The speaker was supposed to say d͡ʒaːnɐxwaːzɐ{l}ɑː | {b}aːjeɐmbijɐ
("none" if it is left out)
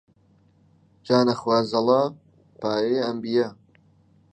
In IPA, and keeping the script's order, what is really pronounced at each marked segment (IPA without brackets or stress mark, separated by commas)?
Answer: l, p